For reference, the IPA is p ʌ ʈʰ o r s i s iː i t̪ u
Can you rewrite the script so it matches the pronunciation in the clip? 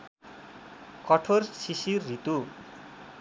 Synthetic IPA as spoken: k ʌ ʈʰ o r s i s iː i t̪ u